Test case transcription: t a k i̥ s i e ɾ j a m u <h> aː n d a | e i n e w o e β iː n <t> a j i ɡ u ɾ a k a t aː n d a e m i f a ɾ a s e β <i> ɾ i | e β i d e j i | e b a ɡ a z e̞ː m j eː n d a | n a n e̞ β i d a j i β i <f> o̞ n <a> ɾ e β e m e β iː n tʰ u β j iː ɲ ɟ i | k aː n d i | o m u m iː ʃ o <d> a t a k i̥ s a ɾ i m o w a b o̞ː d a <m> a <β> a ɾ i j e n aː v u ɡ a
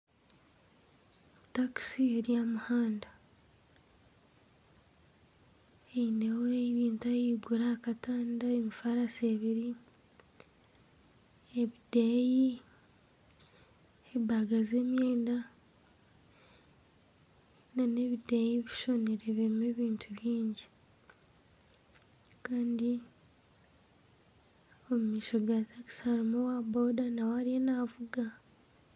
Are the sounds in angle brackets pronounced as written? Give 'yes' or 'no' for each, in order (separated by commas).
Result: yes, yes, yes, no, no, no, no, no